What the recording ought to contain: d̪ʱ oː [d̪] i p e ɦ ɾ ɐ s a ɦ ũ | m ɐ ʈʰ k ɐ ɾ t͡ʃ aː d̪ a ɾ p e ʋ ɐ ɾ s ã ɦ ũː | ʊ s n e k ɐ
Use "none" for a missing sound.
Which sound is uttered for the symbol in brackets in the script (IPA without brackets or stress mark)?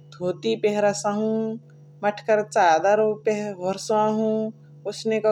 t̪